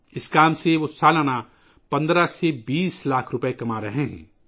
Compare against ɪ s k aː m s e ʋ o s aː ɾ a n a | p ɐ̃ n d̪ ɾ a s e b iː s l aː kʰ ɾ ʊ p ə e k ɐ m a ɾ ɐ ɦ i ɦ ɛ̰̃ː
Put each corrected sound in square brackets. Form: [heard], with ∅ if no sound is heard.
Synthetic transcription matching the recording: ɪ s k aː m s e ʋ o s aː [l] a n a | p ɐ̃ n d̪ ɾ a s e b iː s l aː kʰ ɾ ʊ p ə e k ɐ m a ɾ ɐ ɦ [e] ɦ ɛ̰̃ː